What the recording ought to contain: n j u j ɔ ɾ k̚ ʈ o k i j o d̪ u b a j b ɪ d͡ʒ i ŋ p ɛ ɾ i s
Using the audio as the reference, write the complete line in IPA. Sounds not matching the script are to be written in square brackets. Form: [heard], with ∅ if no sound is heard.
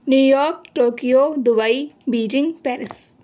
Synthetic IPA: n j u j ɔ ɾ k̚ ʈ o k i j o d̪ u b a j b [i] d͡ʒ i ŋ p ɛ ɾ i s